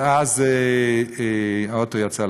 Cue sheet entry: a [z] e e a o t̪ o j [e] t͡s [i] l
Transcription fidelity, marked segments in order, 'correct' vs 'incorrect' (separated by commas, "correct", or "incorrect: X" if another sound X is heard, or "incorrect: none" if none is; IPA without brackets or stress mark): correct, incorrect: a, incorrect: a